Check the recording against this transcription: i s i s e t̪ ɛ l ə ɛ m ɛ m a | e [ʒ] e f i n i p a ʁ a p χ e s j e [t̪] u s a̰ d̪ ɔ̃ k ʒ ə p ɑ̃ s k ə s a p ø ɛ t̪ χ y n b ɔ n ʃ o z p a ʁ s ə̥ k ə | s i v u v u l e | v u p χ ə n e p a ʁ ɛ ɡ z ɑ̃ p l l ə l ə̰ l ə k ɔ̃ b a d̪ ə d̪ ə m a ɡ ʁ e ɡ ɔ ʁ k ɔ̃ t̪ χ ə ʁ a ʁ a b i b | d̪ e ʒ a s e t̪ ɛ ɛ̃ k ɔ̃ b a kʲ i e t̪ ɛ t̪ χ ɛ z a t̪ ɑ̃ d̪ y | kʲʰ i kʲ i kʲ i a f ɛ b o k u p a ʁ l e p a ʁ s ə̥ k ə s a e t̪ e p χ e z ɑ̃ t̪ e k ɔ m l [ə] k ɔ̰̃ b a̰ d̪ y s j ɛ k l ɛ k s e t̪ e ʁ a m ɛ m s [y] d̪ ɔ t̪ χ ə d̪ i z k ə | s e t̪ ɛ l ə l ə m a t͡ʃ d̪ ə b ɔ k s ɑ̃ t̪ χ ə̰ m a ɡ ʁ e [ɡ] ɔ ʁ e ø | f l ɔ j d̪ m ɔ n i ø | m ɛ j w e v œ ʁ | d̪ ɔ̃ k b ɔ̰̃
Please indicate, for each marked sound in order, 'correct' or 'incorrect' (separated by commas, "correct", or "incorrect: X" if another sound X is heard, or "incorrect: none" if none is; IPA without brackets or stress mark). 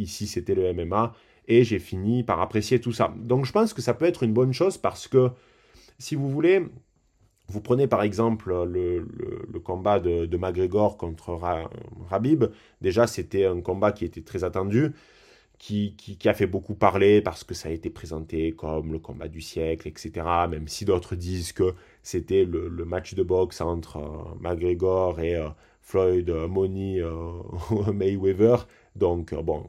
correct, correct, correct, incorrect: i, correct